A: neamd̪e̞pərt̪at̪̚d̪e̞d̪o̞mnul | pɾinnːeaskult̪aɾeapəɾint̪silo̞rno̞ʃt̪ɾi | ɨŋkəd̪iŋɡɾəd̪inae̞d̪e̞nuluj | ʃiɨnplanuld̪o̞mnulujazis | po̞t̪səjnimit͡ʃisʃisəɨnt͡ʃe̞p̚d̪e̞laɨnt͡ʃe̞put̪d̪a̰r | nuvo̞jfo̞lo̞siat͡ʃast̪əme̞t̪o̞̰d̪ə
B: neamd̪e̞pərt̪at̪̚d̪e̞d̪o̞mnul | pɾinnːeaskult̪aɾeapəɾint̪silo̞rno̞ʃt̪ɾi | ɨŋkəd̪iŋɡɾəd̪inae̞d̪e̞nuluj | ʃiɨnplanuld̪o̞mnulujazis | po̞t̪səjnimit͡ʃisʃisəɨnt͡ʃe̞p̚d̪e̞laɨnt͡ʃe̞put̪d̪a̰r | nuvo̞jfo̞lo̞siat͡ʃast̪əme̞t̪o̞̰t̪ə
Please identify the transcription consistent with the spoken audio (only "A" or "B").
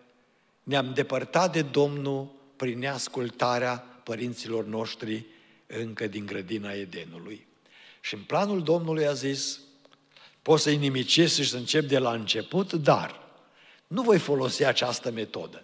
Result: A